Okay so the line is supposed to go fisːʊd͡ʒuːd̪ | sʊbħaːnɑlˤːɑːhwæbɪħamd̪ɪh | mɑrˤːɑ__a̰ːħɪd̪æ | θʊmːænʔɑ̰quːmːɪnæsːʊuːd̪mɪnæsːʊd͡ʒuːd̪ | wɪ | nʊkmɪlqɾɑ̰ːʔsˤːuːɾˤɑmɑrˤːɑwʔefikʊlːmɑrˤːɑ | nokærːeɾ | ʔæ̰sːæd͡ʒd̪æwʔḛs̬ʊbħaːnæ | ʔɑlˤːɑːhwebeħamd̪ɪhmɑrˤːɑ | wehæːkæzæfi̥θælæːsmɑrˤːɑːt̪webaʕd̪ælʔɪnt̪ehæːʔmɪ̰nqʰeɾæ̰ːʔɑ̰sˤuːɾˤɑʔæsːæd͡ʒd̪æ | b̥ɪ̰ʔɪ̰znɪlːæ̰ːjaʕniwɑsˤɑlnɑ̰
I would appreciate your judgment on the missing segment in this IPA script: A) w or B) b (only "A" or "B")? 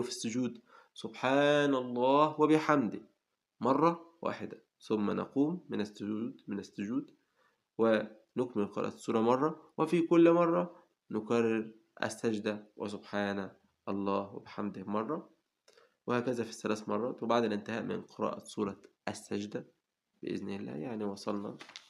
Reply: A